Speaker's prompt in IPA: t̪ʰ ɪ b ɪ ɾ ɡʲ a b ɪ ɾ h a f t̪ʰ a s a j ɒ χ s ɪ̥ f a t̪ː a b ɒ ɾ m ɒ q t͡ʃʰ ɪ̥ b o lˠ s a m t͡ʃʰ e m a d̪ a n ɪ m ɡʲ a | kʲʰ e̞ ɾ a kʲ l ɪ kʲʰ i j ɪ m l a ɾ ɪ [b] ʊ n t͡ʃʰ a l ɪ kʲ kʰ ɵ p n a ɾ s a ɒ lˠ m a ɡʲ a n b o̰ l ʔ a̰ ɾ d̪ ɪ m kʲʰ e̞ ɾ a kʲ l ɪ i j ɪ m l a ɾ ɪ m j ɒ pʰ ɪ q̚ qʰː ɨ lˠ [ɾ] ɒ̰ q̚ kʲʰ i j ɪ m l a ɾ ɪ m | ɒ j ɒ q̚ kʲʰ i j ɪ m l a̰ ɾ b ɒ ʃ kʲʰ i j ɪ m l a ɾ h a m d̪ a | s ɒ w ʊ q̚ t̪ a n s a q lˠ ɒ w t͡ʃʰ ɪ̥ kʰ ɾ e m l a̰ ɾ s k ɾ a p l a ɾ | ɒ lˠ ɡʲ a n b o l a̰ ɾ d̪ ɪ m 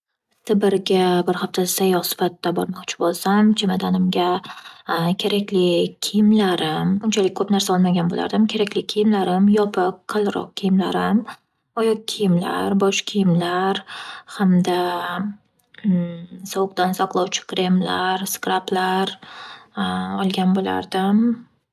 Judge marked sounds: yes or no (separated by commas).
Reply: no, yes